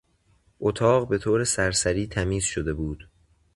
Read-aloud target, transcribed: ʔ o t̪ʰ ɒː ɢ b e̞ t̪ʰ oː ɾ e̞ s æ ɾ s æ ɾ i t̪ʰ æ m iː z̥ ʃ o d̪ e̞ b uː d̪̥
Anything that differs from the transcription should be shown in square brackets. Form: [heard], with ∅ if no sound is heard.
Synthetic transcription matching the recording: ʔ o t̪ʰ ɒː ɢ b e̞ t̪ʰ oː ɾ e̞ s æ ɾ s æ ɾ [iː] t̪ʰ æ m iː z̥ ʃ o d̪ e̞ b uː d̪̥